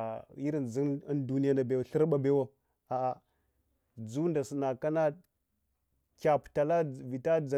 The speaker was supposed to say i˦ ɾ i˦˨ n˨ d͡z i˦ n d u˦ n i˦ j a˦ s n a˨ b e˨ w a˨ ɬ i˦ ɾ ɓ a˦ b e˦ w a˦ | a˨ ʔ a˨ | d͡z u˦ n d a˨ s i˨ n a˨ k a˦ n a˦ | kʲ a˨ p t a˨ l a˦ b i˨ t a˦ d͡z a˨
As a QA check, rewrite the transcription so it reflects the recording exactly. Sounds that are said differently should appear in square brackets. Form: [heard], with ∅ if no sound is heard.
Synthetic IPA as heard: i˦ ɾ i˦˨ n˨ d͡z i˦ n d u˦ n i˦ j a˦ [∅] n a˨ b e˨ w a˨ ɬ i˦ ɾ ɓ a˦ b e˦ w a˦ | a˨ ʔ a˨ | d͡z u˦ n d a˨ s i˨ n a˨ k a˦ n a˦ | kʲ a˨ p t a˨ l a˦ [v] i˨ t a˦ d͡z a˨

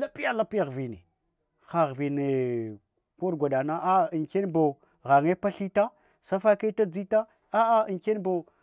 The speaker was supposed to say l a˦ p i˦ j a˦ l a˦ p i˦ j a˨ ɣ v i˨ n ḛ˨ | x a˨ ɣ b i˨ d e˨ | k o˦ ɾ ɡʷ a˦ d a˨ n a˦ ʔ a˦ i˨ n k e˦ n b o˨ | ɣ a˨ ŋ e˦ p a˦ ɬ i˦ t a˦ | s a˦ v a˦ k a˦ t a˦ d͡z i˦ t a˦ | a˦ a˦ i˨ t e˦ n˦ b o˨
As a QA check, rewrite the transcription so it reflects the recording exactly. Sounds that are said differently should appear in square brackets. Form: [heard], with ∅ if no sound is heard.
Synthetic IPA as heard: l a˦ p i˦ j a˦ l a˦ p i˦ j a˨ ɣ v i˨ n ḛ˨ | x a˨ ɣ [v] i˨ [n] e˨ | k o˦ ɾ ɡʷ [a˨] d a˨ n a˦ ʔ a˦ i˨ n k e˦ n b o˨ | ɣ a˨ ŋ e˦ p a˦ ɬ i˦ t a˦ | s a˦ [f] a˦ k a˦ t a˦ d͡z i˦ t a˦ | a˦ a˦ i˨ [k] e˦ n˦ b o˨

